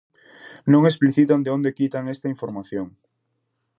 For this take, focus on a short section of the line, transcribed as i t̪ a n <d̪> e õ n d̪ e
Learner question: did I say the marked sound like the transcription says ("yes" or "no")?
yes